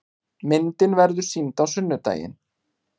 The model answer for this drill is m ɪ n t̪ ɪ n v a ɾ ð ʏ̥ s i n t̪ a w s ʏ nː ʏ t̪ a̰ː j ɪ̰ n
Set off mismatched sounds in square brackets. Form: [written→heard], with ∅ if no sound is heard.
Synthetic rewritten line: m ɪ n t̪ ɪ n v [a→ɛ] ɾ ð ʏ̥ s i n t̪ a w s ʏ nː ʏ t̪ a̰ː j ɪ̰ n